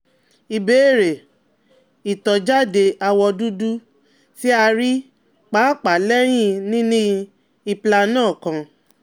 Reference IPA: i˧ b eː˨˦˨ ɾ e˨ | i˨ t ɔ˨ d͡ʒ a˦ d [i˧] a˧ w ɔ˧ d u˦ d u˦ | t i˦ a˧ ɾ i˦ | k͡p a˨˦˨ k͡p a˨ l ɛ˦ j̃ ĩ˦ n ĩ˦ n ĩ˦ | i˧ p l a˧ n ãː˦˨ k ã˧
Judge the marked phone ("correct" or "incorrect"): incorrect